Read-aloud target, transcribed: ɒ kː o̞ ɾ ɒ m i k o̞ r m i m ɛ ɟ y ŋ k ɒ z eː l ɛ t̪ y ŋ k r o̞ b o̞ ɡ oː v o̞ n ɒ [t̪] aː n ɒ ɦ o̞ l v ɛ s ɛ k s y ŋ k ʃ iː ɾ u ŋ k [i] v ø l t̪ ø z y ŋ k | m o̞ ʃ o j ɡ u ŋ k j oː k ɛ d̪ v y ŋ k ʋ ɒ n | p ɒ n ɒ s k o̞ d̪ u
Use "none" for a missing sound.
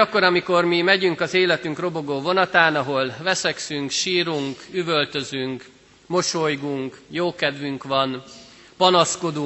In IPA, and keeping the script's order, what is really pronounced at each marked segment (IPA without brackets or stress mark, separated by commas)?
t̪, y